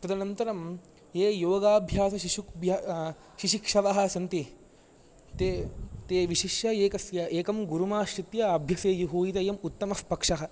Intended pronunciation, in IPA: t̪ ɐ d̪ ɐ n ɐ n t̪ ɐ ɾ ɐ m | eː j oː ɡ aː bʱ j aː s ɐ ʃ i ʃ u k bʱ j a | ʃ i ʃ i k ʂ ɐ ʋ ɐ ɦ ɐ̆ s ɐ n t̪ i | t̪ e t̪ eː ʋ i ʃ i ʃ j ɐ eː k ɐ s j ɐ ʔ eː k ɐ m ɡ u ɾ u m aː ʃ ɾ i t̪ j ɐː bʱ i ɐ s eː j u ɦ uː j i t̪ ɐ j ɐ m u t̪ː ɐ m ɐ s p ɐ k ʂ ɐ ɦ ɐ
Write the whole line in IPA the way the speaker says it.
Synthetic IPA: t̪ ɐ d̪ ɐ n ɐ n t̪ ɐ ɾ ɐ m | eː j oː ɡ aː bʱ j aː s ɐ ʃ i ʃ u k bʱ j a | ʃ i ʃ i k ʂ ɐ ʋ ɐ ɦ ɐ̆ s ɐ n t̪ i | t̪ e t̪ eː ʋ i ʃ i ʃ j ɐ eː k ɐ s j ɐ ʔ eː k ɐ m ɡ u ɾ u m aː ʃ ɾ i t̪ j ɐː bʱ j ɐ s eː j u ɦ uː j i t̪ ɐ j ɐ m u t̪ː ɐ m ɐ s p ɐ k ʂ ɐ ɦ ɐ